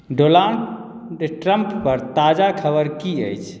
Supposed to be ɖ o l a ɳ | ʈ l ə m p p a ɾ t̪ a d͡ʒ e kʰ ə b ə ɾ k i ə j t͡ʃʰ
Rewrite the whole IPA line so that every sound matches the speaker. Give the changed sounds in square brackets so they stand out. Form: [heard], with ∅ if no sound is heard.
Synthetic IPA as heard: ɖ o l a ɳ | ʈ [ɾ] ə m p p [ə] ɾ t̪ a d͡ʒ [a] kʰ ə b ə ɾ k i ə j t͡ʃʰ